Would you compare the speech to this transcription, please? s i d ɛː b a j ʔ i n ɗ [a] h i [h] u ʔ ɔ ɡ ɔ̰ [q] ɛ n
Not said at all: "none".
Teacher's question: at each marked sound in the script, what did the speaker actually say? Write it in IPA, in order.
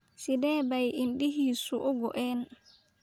i, s, ʔ

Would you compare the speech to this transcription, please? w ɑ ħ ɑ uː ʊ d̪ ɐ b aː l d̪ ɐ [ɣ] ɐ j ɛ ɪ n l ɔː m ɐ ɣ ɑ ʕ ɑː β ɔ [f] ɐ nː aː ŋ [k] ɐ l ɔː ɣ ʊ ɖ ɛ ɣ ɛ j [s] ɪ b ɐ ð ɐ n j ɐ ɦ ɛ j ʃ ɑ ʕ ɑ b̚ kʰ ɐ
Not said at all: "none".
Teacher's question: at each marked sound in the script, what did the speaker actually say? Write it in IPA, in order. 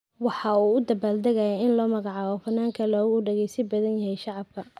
ɣ, f, kʰ, s

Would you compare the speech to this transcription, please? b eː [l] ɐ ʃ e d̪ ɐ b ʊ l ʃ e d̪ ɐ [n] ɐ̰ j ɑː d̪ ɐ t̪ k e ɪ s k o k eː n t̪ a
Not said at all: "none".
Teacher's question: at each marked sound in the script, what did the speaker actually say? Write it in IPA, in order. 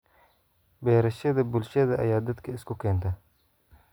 ɾ, none

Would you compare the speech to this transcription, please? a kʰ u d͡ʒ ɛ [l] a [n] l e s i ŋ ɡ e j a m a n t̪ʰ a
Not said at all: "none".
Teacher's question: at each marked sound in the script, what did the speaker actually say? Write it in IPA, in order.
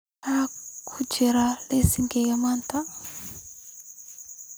ɾ, none

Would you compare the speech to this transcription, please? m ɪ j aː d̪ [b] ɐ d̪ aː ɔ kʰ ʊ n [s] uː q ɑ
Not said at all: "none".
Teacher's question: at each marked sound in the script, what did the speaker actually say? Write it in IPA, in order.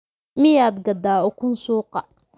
ɡ, s

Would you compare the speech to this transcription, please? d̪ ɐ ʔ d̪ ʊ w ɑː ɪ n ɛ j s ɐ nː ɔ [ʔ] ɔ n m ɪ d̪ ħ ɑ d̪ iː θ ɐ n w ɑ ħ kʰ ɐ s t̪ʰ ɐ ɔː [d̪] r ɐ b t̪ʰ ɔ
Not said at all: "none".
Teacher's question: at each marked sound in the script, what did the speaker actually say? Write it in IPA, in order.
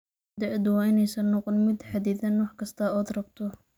q, d̪

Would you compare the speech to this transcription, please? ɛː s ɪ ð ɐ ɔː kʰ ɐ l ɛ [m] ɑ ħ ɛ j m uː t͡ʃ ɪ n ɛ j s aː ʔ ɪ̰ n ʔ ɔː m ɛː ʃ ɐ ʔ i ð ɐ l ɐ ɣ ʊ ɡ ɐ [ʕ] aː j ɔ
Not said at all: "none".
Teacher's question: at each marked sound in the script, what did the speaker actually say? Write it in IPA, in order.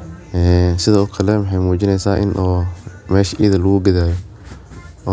m, ð

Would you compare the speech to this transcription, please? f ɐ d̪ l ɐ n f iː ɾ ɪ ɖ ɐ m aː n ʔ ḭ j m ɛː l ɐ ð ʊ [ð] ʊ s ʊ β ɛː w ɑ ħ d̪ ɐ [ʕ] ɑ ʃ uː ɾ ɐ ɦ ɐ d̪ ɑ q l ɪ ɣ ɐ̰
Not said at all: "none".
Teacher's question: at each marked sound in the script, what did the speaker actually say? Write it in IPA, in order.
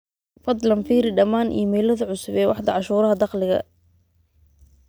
ʕ, ʕ

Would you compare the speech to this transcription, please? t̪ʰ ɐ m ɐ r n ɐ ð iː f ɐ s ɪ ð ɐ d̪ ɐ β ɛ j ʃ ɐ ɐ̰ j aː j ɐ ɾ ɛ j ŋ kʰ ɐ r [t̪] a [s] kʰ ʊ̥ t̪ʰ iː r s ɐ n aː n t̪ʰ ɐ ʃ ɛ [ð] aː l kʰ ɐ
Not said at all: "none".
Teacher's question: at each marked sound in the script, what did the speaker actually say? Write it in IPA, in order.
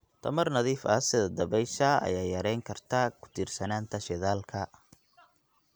t̪ʰ, none, ð

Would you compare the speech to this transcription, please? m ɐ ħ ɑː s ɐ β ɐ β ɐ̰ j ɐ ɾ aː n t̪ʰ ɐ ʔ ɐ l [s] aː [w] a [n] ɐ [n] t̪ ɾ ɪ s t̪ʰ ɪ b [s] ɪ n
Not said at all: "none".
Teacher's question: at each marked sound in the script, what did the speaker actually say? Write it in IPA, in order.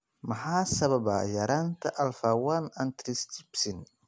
f, w, n, n, s

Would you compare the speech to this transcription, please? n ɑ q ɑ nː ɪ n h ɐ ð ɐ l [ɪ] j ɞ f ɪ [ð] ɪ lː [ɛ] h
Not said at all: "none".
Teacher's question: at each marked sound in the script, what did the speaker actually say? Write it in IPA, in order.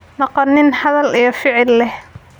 i, ʕ, ɛ

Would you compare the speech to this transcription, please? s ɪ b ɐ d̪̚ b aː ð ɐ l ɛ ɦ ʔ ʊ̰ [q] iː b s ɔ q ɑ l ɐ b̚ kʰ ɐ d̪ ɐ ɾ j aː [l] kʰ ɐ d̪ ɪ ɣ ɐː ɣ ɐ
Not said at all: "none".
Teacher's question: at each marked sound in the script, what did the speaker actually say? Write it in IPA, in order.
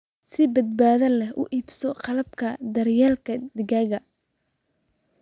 ʔ, l

